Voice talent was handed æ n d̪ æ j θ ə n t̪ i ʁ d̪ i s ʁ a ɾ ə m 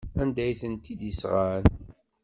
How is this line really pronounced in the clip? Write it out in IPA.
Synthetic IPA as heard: æ n d̪ æ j θ ə n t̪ i d̪ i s ʁ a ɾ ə n